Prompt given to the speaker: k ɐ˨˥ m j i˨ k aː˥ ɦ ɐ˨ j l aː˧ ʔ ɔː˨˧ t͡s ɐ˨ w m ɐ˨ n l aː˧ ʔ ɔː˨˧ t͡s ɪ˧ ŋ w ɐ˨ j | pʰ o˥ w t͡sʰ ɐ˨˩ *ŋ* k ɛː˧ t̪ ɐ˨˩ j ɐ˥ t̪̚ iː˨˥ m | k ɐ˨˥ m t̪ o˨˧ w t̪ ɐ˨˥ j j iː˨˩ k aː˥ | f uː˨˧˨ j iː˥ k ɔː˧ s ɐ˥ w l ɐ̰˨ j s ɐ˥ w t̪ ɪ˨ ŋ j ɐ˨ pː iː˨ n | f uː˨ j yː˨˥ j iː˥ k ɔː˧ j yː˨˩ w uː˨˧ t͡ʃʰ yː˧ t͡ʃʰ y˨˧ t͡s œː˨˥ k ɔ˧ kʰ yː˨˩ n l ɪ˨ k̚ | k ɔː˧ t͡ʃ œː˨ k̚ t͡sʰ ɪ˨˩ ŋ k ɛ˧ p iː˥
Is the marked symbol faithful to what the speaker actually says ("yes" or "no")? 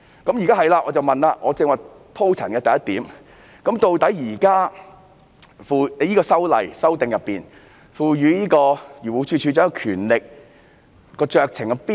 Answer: no